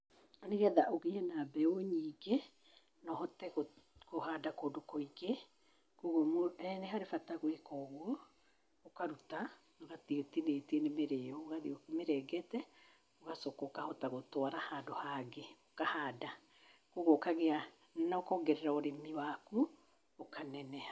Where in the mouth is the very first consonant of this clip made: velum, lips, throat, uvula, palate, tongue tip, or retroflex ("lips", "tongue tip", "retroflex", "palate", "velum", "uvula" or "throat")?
tongue tip